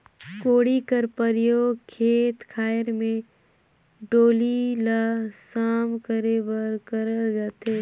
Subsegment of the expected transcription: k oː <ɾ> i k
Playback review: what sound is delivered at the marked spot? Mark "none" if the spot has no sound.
ɽ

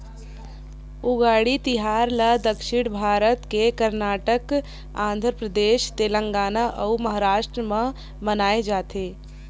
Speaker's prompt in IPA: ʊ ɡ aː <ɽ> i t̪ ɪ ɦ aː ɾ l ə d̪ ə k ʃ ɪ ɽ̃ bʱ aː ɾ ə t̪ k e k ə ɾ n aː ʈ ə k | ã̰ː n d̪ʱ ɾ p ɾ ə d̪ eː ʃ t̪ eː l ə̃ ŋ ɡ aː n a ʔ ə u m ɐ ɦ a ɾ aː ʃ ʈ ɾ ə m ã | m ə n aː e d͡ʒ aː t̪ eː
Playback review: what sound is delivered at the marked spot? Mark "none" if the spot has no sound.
ɽ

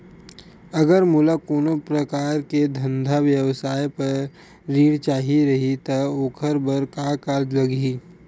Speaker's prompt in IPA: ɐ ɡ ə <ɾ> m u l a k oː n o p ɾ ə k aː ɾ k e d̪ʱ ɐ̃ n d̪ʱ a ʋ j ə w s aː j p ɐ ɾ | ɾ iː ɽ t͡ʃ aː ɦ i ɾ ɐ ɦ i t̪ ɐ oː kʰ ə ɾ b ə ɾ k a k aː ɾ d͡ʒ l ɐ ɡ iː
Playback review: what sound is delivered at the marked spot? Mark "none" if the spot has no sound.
ɾ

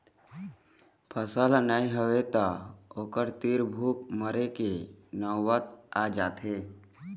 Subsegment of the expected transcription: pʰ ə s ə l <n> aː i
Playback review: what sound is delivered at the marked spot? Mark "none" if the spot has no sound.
n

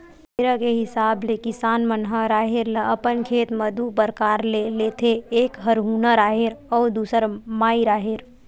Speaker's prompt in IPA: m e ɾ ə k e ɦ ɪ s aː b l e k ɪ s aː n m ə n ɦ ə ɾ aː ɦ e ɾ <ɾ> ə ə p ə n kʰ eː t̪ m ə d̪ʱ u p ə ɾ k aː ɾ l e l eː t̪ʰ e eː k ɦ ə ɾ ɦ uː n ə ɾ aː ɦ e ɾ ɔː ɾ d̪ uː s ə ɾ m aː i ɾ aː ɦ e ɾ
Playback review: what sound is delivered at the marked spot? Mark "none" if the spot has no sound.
l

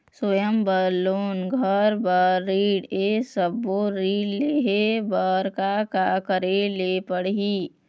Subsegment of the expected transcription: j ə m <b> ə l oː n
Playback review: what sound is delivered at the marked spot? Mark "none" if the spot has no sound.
b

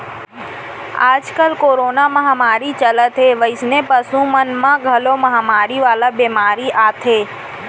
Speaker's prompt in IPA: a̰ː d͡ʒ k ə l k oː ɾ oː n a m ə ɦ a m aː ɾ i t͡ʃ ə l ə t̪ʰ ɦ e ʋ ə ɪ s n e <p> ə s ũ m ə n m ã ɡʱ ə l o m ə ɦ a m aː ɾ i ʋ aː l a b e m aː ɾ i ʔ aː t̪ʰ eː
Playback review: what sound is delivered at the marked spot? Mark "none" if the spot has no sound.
p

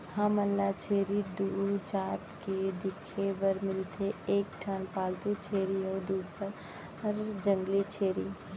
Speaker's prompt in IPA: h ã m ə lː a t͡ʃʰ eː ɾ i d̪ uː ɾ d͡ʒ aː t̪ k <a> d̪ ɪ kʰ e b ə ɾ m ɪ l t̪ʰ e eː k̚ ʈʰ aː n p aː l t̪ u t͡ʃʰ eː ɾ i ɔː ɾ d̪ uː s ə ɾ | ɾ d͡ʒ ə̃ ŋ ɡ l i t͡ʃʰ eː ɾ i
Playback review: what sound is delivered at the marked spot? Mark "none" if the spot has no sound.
e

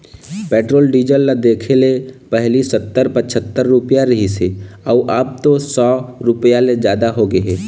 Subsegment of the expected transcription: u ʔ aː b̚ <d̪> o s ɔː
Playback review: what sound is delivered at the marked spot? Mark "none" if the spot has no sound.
t̪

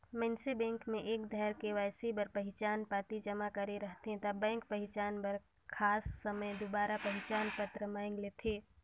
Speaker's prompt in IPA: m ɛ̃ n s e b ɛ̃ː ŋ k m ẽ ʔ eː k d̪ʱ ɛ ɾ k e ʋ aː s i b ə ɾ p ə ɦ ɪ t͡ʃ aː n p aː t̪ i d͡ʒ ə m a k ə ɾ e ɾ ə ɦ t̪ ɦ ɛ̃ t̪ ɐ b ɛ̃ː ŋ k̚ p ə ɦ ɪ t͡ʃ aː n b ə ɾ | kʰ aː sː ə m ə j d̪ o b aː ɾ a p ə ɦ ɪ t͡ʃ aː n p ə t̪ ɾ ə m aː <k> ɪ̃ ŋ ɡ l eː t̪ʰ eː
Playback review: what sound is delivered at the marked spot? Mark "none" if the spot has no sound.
none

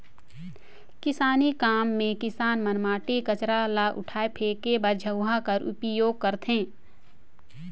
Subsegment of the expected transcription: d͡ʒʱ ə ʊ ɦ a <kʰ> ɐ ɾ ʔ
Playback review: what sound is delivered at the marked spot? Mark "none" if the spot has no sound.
k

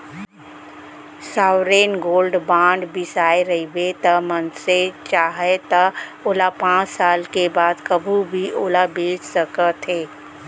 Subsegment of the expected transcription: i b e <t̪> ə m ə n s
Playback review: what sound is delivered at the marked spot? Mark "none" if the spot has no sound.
t̪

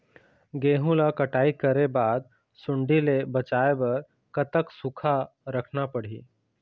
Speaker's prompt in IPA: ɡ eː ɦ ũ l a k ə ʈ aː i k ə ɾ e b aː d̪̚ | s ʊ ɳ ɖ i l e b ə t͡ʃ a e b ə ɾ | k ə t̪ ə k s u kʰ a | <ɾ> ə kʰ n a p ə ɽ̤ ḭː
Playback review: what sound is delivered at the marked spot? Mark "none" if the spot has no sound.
ɾ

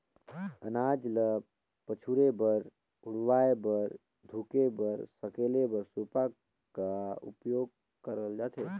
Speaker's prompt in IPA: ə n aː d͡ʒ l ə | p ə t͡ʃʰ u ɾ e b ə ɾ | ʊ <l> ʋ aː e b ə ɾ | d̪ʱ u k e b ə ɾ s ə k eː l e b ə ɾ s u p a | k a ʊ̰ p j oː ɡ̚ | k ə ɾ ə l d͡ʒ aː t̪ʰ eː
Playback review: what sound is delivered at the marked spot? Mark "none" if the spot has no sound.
ɽ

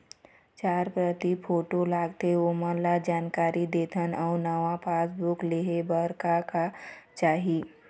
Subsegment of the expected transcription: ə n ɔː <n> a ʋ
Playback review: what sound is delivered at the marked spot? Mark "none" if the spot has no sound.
n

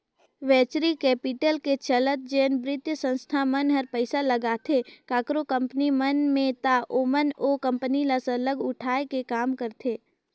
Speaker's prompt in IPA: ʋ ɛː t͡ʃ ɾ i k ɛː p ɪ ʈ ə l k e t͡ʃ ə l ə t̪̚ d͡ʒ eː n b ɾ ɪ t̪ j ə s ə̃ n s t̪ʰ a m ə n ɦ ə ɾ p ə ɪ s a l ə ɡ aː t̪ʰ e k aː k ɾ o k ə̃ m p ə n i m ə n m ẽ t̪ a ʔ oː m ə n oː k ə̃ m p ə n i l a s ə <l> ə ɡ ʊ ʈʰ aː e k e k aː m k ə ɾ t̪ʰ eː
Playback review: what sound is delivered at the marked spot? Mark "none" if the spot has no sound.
l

